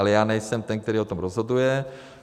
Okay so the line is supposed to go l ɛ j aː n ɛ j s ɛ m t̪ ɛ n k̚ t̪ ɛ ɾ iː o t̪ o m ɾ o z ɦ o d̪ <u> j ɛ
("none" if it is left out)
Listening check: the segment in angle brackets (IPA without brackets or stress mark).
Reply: u